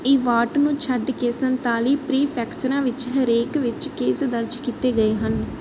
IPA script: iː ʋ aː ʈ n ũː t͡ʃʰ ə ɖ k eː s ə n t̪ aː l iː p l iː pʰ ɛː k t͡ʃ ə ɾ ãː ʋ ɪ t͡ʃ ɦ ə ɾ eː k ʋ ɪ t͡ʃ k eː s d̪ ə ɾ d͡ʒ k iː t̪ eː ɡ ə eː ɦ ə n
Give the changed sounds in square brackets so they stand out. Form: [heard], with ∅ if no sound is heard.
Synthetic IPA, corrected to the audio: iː ʋ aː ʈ n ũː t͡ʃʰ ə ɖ k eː s ə n t̪ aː l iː p [ɾ] iː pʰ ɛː k t͡ʃ ə ɾ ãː ʋ ɪ t͡ʃ ɦ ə ɾ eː k ʋ ɪ t͡ʃ k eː s d̪ ə ɾ d͡ʒ k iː t̪ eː ɡ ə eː ɦ ə n

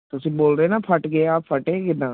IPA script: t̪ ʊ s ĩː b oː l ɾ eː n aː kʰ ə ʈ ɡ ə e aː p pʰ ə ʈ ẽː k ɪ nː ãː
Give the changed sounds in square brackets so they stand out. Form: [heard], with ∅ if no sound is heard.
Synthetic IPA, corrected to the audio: t̪ ʊ s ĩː b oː l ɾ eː n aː [pʰ] ə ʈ ɡ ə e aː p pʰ ə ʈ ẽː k ɪ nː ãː

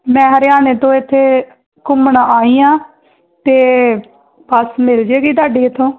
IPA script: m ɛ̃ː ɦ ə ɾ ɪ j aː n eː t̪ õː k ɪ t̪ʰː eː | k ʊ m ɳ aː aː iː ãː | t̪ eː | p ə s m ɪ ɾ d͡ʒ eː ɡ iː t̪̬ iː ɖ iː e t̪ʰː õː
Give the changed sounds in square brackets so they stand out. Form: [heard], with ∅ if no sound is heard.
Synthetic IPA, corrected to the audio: m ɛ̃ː ɦ ə ɾ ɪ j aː n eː t̪ õː [∅] ɪ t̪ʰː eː | k ʊ m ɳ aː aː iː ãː | t̪ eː | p ə s m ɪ [l] d͡ʒ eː ɡ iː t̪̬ [aː] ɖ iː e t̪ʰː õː

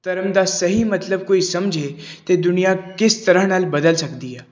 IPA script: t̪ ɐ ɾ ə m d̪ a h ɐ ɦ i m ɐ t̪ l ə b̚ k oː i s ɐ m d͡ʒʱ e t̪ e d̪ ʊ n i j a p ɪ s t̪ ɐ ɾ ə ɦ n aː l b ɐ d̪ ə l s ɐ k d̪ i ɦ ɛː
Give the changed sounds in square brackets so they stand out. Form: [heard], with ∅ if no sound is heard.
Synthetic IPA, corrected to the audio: t̪ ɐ ɾ ə m d̪ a [s] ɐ ɦ i m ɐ t̪ l ə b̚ k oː i s ɐ m d͡ʒʱ e t̪ e d̪ ʊ n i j a [k] ɪ s t̪ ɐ ɾ ə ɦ n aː l b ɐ d̪ ə l s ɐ k d̪ i ɦ ɛː

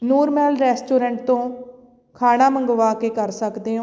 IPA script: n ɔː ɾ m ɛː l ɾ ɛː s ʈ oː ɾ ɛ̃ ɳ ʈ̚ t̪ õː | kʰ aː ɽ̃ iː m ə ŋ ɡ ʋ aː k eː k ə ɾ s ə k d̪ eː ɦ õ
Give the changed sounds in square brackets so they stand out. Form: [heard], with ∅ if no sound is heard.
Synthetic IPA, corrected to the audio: n [uː] ɾ m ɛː l ɾ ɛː s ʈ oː ɾ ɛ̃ ɳ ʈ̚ t̪ õː | kʰ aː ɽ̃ [aː] m ə ŋ ɡ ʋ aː k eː k ə ɾ s ə k d̪ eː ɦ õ

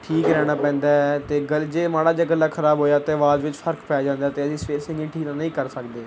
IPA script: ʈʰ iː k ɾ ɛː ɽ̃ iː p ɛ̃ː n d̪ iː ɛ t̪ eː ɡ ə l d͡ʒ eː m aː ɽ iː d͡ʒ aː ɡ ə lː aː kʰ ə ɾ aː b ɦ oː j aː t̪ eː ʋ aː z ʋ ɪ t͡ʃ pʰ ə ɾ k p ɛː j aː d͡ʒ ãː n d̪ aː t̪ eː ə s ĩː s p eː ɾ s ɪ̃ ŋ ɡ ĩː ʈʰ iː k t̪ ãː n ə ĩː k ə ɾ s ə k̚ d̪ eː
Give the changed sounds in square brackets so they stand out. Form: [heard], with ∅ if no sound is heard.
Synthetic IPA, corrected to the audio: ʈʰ iː k ɾ ɛː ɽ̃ [aː] p ɛ̃ː n d̪ [aː] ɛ t̪ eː ɡ ə l d͡ʒ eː m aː ɽ [aː] d͡ʒ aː ɡ ə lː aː kʰ ə ɾ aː b ɦ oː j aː t̪ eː ʋ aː z ʋ ɪ t͡ʃ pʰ ə ɾ k p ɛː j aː d͡ʒ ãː n d̪ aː t̪ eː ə s ĩː s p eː ɾ s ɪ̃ ŋ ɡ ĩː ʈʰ iː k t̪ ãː n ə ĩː k ə ɾ s ə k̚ d̪ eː

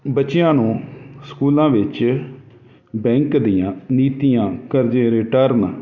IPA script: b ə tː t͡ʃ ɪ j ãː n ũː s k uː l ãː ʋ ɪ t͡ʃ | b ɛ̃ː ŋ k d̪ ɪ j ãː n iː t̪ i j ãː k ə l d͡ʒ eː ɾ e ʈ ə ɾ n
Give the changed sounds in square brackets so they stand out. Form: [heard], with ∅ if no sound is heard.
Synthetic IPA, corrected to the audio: b ə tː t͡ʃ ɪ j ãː n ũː s k uː l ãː ʋ ɪ t͡ʃ | b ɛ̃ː ŋ k d̪ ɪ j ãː n iː t̪ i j ãː k ə [ɾ] d͡ʒ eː ɾ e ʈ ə ɾ n

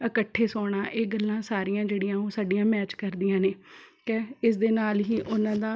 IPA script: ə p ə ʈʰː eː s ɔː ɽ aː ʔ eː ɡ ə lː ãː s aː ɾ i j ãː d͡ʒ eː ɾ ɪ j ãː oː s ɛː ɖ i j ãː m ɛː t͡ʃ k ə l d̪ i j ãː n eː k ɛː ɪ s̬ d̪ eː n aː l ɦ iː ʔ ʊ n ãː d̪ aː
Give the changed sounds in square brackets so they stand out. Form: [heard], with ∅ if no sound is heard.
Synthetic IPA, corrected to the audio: ə [k] ə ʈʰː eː s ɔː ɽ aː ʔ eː ɡ ə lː ãː s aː ɾ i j ãː d͡ʒ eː [ɽ] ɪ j ãː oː s [aː] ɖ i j ãː m ɛː t͡ʃ k ə [ɾ] d̪ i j ãː n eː k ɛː ɪ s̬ d̪ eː n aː l ɦ iː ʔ ʊ n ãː d̪ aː

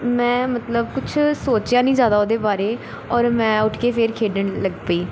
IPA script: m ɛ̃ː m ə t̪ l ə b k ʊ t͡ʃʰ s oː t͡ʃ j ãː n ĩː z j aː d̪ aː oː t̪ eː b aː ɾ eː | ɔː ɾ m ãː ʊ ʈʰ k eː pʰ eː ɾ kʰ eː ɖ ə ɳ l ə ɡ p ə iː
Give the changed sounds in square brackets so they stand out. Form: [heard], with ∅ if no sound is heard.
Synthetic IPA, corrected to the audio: m ɛ̃ː m ə t̪ l ə b k ʊ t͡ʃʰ s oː t͡ʃ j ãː n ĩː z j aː d̪ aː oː [d̪] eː b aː ɾ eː | ɔː ɾ m [ɛ̃ː] ʊ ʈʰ k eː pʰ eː ɾ kʰ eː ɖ ə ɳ l ə ɡ p ə iː

